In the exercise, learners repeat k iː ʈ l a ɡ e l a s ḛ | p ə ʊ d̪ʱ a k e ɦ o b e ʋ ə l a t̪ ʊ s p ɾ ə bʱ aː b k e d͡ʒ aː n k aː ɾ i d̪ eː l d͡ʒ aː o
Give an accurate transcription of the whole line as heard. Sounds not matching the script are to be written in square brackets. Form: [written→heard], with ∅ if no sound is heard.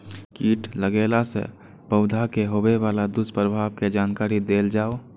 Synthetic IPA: k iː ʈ l [a→ə] ɡ e l a s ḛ | p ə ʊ d̪ʱ a k e ɦ o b e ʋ [ə→a] l a [t̪→d̪] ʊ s p ɾ ə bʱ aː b k e d͡ʒ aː n k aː ɾ i d̪ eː l d͡ʒ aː o

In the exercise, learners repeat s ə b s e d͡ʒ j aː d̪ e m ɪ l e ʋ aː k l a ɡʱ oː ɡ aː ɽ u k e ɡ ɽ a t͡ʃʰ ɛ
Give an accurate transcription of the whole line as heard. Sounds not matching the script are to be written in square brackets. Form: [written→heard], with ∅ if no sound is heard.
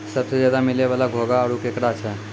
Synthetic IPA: s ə b s e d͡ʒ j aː d̪ [e→a] m ɪ l e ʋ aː [k→∅] l a ɡʱ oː ɡ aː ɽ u k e [ɡ→k] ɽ a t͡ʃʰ ɛ

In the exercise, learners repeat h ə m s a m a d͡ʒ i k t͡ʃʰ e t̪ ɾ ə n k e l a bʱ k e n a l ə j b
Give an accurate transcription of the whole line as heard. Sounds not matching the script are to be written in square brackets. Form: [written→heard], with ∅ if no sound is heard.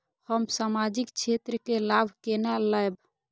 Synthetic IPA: h ə m s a m a d͡ʒ i k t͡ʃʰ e t̪ ɾ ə [n→∅] k e l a bʱ k e n a l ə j b

